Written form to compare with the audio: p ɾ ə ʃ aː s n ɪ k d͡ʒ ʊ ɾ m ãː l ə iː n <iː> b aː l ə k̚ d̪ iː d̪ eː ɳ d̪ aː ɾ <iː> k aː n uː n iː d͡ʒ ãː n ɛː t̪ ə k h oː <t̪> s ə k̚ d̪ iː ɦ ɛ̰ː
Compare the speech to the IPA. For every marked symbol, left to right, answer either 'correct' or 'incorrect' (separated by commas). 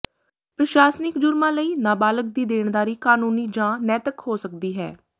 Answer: incorrect, correct, incorrect